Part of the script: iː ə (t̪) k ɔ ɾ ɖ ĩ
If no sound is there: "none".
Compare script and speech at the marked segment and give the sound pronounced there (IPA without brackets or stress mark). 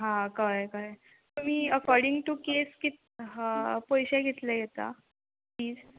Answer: none